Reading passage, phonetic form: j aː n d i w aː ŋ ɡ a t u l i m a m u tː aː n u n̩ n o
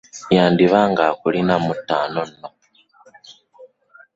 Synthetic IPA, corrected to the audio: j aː n d i β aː ŋ ɡ a k u l i n a m u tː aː n o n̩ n o